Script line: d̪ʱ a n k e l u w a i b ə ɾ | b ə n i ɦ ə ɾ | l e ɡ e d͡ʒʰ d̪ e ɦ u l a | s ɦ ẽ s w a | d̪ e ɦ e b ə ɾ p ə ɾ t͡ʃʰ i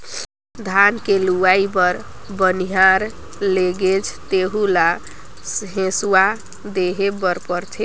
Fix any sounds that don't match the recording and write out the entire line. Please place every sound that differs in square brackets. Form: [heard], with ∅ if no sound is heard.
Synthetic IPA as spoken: d̪ʱ a n k e l u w a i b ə ɾ | b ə n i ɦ [a] ɾ | l e ɡ e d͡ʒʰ [t̪] e ɦ u l a | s ɦ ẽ s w a | d̪ e ɦ e b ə ɾ p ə ɾ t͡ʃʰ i